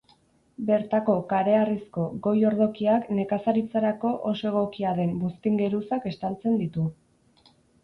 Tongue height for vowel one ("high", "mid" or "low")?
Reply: mid